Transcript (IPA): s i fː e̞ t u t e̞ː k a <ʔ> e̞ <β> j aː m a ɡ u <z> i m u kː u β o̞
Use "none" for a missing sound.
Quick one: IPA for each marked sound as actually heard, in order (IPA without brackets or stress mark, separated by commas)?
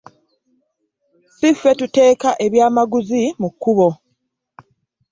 ʔ, β, z